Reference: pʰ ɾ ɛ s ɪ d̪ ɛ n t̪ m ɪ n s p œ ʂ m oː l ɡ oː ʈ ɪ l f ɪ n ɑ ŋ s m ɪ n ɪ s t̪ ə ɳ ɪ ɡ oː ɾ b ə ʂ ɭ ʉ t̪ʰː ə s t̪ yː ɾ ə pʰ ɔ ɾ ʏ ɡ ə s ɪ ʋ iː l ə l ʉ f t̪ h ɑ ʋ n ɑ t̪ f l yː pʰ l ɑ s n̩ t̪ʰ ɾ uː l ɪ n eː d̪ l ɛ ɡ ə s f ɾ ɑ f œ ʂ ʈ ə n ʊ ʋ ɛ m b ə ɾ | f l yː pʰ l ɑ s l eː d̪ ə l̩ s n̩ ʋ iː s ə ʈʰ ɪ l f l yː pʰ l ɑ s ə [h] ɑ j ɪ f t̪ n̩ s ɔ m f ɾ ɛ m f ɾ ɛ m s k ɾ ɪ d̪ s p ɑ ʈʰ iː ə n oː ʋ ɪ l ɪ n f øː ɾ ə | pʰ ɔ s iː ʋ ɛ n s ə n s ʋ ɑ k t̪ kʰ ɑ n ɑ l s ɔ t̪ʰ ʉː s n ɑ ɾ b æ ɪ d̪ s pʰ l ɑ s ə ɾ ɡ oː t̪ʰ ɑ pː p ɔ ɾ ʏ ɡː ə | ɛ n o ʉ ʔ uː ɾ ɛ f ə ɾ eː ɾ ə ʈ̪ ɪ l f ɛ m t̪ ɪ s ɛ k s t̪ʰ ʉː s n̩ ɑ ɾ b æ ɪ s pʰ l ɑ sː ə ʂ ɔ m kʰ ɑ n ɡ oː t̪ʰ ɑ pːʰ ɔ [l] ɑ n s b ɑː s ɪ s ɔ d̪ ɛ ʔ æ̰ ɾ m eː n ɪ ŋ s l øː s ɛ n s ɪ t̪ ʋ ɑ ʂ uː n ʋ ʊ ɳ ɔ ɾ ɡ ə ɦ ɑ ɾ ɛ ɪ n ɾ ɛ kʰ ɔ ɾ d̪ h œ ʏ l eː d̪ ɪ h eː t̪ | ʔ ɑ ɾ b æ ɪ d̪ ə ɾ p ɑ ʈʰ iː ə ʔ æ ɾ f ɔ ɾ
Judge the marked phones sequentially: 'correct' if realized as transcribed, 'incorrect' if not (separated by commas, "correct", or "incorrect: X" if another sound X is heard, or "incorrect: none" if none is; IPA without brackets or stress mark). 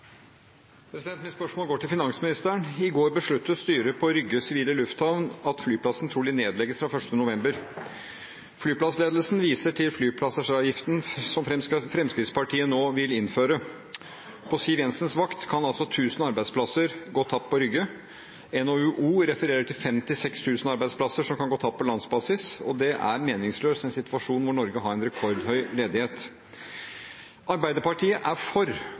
incorrect: ʂ, correct